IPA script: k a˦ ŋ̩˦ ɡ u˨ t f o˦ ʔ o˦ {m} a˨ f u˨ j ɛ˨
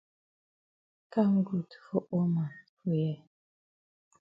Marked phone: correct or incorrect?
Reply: correct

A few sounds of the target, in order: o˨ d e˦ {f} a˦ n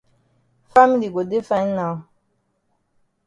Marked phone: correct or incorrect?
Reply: correct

